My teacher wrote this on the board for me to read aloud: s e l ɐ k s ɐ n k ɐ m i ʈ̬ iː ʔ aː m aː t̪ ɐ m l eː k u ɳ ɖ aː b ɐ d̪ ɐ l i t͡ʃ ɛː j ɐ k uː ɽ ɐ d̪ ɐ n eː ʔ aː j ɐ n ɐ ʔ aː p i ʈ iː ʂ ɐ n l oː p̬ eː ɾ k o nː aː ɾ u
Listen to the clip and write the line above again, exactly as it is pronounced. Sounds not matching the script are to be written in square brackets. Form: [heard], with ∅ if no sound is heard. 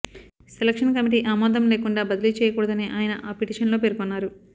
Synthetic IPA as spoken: s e l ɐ k [ʂ] ɐ n k ɐ m i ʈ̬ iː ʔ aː m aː [d̪] ɐ m l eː k u ɳ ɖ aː b ɐ d̪ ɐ l i t͡ʃ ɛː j ɐ k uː ɽ ɐ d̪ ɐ n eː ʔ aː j ɐ n ɐ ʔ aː p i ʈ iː ʂ ɐ n l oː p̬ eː ɾ k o nː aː ɾ u